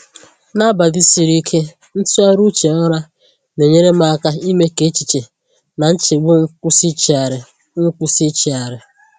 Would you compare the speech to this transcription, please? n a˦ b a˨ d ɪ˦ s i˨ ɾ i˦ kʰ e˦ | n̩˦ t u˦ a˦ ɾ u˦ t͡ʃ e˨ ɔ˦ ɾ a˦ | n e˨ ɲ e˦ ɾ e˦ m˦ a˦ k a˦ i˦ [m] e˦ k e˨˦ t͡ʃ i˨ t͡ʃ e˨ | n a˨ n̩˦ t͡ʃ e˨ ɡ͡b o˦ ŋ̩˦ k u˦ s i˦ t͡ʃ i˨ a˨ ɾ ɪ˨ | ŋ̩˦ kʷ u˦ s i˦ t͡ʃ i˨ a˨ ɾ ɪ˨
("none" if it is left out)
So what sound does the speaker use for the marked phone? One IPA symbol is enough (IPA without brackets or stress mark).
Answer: m